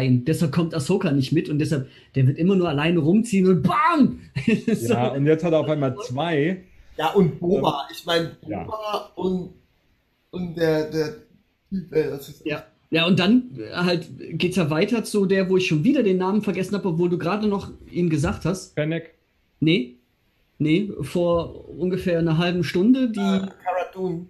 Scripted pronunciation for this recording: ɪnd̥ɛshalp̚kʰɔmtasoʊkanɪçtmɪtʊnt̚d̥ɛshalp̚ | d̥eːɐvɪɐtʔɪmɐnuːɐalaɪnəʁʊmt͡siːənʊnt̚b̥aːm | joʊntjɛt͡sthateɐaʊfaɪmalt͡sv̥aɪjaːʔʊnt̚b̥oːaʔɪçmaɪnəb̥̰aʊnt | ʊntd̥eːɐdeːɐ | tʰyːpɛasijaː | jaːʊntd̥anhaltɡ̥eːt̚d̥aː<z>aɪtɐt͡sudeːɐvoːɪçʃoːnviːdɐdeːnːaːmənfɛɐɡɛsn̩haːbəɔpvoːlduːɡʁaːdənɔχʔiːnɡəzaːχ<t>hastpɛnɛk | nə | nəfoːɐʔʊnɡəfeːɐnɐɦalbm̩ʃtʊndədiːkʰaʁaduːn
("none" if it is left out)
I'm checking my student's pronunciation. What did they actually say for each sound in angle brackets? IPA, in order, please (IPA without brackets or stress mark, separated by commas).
v, t